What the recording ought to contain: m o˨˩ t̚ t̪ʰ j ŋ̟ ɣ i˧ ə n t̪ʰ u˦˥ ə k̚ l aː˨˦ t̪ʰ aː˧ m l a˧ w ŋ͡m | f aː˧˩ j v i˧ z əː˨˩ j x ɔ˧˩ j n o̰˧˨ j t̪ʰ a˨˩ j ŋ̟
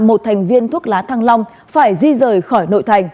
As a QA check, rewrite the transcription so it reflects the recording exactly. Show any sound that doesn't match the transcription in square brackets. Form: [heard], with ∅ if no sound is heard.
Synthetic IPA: m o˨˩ t̚ t̪ʰ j ŋ̟ [v] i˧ ə n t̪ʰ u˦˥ ə k̚ l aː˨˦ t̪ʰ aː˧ [ŋ] l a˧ w ŋ͡m | f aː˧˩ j [z] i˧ z əː˨˩ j x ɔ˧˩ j n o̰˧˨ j t̪ʰ a˨˩ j ŋ̟